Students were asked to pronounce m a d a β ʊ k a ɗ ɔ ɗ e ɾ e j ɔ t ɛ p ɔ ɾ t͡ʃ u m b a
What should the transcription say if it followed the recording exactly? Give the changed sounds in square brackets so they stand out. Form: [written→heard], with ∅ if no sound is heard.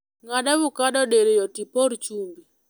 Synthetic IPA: [m→ŋ] a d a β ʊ k a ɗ ɔ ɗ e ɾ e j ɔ t [ɛ→i] p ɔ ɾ t͡ʃ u m b [a→i]